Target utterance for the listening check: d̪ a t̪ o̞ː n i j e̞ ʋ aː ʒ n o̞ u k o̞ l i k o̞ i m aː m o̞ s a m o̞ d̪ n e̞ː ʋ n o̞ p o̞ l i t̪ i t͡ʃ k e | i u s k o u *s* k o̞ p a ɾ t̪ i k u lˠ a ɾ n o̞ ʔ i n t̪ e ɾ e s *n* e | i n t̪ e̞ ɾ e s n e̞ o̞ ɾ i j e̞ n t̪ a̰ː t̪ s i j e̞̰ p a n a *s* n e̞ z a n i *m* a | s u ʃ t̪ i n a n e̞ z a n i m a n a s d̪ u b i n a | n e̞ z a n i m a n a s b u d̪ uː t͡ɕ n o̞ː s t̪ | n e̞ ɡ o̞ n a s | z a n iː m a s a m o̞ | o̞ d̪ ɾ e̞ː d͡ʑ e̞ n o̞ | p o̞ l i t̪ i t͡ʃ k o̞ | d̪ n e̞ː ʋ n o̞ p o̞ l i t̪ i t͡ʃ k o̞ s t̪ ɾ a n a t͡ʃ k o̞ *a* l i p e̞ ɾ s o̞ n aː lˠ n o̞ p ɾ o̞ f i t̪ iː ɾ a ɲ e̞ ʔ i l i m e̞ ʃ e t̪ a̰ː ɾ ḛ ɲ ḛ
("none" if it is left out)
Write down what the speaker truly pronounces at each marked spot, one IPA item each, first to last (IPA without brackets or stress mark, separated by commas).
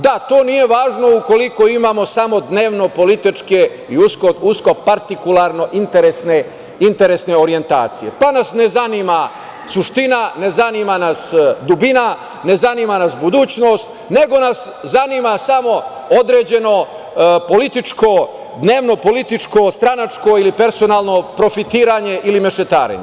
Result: s, n, s, m, i